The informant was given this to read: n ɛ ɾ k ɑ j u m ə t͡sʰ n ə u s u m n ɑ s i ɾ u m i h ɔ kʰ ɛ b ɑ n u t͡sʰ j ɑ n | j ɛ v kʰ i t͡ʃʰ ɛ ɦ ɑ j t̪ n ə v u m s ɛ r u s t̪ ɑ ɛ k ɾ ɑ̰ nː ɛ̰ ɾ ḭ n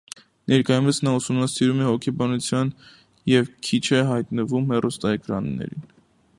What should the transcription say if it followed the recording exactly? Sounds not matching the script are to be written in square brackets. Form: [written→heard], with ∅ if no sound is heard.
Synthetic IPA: n ɛ ɾ k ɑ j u m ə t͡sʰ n [ə→ɑ] u s u m n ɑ s i ɾ u m [i→ɛ] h ɔ kʰ ɛ b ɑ n u t͡sʰ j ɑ n | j ɛ v kʰ i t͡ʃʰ ɛ ɦ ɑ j t̪ n ə v u m [s→h] ɛ r u s t̪ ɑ ɛ k ɾ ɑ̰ nː ɛ̰ ɾ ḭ n